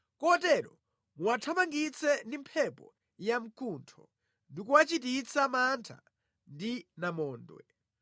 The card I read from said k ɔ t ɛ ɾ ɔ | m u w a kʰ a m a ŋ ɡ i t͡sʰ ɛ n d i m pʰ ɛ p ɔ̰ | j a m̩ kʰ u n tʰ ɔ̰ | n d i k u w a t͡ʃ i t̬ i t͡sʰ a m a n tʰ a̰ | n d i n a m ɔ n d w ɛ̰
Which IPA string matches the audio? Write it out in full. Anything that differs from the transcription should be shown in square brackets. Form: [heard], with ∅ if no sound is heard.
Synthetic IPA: k ɔ t ɛ ɾ ɔ | m u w a [tʰ] a m a ŋ ɡ i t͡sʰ ɛ n d i m pʰ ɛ p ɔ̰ | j a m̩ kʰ u n tʰ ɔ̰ | n d i k u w a t͡ʃ i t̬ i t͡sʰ a m a n tʰ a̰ | n d i n a m [ɔː] n d w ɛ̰